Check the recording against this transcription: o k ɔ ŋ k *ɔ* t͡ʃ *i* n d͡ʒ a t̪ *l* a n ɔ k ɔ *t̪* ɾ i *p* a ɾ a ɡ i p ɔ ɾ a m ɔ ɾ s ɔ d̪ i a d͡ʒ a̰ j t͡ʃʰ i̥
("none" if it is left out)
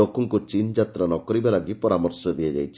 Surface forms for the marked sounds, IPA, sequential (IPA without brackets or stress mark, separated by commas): u, i, ɾ, none, b